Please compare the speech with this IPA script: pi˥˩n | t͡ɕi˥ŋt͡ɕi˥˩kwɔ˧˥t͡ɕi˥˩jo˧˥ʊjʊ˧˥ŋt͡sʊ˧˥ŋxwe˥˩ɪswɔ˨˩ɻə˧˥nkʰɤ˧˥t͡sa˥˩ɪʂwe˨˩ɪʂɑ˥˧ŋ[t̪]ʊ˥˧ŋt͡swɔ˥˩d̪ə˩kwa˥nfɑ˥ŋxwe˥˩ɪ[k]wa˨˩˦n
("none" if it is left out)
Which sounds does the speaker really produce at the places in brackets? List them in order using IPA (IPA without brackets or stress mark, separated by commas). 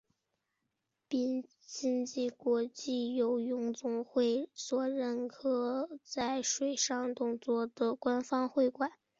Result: t̪, k